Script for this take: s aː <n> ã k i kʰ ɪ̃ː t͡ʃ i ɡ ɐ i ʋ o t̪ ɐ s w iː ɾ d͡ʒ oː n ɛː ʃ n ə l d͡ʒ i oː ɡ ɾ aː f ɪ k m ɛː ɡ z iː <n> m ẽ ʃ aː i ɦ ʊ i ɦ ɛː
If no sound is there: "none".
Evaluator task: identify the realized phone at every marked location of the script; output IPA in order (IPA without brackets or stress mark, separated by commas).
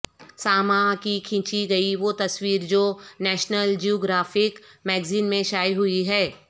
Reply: m, n